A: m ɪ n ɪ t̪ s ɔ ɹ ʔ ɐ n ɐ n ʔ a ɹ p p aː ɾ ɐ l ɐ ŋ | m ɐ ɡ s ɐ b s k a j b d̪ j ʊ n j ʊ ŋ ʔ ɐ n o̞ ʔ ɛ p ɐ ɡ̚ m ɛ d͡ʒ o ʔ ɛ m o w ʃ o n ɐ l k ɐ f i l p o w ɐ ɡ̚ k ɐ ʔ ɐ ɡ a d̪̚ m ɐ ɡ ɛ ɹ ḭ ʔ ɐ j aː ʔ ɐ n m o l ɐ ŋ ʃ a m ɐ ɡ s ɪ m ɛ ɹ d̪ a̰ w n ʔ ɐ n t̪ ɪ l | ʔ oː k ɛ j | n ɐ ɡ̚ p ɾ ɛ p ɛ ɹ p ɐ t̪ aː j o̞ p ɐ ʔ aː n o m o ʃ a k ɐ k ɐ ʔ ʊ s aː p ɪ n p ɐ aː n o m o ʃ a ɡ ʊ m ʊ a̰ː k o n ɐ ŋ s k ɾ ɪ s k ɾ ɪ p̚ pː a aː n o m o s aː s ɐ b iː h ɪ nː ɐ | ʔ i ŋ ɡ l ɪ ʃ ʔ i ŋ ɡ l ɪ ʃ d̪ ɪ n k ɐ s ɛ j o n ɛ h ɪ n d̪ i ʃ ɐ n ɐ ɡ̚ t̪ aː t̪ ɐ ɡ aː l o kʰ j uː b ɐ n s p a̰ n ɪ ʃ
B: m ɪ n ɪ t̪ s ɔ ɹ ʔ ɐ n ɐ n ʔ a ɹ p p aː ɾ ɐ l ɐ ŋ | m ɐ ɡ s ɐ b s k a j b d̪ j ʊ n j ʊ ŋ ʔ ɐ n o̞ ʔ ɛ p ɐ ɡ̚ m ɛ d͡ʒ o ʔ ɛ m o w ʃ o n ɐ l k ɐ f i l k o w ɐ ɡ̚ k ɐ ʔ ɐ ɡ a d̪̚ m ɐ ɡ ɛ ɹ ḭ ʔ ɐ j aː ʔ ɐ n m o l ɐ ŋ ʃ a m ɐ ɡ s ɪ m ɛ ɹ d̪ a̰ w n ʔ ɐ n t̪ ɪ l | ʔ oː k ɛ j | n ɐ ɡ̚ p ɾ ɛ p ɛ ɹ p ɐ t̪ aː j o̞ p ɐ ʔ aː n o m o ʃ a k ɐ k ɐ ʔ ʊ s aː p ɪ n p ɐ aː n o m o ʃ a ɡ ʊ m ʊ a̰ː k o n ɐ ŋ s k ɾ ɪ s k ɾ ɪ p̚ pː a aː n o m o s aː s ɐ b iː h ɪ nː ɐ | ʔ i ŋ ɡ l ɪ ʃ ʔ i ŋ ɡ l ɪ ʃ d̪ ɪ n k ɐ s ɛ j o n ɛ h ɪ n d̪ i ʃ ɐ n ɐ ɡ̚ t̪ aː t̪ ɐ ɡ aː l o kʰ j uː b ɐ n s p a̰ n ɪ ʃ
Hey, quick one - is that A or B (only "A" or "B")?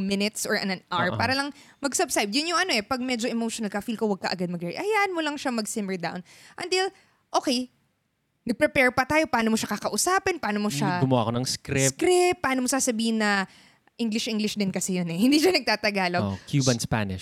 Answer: B